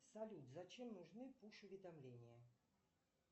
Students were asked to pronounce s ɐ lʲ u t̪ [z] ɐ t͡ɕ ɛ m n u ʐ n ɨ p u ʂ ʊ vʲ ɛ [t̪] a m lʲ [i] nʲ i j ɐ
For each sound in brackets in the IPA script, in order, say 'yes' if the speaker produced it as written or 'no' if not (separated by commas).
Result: yes, no, no